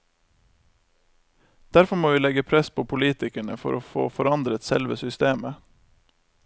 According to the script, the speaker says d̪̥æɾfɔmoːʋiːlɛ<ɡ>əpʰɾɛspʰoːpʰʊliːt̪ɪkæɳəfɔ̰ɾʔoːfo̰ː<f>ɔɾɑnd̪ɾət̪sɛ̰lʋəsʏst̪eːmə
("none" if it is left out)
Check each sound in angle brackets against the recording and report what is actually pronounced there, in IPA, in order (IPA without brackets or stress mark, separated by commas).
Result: ɡ, f